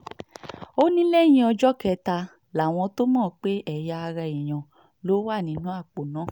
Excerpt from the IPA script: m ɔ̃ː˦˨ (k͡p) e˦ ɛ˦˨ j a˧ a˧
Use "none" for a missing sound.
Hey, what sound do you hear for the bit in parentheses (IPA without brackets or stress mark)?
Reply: k͡p